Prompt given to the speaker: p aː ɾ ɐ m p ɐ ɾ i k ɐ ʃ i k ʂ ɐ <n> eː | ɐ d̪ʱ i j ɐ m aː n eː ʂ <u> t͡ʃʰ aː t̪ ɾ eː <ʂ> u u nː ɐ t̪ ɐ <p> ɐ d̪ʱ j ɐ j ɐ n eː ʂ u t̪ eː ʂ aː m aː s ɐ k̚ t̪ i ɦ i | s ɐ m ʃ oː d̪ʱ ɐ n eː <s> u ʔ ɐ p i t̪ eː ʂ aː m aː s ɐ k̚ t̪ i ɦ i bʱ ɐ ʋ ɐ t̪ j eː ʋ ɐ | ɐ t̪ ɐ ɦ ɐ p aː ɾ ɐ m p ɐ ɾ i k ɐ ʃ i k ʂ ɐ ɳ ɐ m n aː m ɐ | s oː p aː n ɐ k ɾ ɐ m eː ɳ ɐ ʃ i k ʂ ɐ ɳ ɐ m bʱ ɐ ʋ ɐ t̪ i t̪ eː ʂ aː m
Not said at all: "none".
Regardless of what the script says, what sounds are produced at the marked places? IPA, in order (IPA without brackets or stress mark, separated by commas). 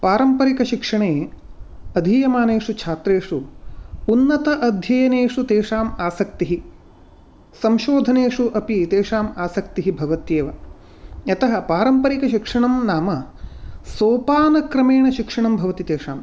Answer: ɳ, u, ʂ, ʔ, ʂ